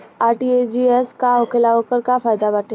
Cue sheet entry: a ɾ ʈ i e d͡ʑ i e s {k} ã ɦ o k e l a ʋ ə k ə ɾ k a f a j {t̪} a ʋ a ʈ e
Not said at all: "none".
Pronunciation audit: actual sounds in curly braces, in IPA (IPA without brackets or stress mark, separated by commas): k, d̪